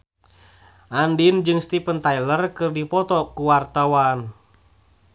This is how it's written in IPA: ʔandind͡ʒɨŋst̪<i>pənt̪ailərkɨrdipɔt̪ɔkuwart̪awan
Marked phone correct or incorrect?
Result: correct